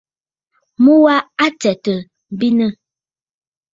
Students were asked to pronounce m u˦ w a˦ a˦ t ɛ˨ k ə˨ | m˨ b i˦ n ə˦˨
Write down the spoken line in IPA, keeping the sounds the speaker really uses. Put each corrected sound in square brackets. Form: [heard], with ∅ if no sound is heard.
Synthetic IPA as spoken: m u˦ w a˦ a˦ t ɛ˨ [t] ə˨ | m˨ b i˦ n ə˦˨